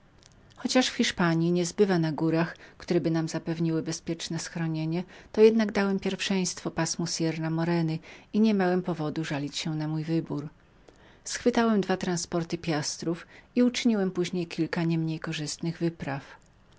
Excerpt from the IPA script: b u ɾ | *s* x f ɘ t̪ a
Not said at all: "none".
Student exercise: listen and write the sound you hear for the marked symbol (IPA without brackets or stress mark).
s